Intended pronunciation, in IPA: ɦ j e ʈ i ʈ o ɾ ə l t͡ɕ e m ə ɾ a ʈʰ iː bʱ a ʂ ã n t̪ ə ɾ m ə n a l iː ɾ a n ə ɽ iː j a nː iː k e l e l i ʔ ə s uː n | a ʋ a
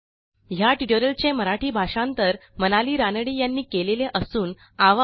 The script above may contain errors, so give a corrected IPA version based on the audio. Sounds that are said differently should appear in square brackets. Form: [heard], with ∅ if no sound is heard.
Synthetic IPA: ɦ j [a] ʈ i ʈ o ɾ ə l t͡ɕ e m ə ɾ a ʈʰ iː bʱ a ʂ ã n t̪ ə ɾ m ə n a l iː ɾ a n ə ɽ iː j a nː iː k e l e l [e] ʔ ə s uː n | a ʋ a